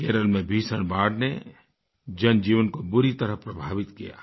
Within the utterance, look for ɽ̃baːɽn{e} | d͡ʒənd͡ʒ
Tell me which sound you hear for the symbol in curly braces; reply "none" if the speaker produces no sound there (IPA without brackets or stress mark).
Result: e